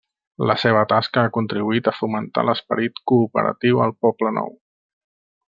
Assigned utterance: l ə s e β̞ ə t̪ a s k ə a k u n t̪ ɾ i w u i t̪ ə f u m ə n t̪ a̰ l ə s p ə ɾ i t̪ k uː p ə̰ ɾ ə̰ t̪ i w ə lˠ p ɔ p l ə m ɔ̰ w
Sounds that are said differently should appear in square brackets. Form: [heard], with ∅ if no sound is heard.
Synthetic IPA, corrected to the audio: l ə s e β̞ ə t̪ a s k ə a k u n t̪ ɾ i [β] u i t̪ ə f u m ə n t̪ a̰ l ə s p ə ɾ i t̪ k uː p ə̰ ɾ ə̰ t̪ i w ə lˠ p ɔ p l ə [n] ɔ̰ w